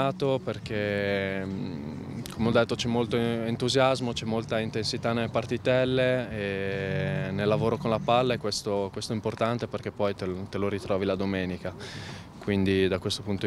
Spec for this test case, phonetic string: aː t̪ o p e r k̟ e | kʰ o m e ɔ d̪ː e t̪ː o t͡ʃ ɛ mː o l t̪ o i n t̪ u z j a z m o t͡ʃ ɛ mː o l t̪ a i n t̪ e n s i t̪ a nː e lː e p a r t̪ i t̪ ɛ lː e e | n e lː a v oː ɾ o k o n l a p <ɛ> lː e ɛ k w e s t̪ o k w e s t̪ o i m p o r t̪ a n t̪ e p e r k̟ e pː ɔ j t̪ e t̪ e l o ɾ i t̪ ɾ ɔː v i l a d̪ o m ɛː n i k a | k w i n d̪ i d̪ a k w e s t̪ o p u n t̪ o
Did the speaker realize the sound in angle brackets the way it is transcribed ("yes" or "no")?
no